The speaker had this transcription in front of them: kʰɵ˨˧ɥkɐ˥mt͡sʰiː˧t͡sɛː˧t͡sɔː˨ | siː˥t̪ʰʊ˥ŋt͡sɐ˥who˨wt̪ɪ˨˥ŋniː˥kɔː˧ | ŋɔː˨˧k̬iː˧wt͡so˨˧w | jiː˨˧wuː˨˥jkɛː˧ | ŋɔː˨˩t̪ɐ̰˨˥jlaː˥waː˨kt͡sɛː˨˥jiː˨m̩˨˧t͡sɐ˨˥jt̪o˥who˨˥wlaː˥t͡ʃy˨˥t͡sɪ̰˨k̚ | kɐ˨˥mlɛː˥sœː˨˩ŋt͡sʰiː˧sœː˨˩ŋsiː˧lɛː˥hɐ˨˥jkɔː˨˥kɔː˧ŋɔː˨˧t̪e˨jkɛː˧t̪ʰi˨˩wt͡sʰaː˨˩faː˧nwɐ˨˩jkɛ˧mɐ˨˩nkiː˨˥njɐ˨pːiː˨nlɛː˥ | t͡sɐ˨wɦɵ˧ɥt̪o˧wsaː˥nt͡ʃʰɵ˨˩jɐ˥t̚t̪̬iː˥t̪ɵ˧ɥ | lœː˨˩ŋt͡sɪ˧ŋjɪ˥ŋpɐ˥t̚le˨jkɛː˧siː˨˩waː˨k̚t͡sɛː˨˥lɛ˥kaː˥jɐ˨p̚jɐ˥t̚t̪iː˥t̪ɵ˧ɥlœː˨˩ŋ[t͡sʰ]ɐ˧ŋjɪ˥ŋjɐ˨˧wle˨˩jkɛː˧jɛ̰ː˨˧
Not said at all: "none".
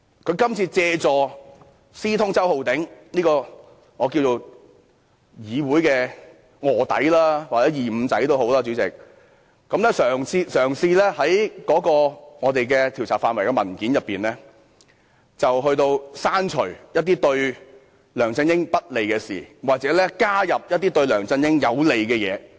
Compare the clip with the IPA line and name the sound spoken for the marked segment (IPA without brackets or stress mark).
t͡s